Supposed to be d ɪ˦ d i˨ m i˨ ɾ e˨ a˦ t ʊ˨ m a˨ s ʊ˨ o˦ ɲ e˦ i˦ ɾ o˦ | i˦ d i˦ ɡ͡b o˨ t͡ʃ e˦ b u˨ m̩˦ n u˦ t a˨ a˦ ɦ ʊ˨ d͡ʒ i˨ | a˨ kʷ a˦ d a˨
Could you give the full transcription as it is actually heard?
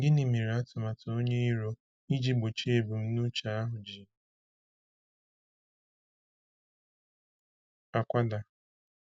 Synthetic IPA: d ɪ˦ n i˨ m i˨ ɾ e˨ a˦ t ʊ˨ m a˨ t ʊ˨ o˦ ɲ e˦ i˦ ɾ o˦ | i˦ d͡ʒ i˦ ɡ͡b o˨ t͡ʃ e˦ b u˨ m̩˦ n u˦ t͡ʃ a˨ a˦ ɦ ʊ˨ d͡ʒ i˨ | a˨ kʷ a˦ d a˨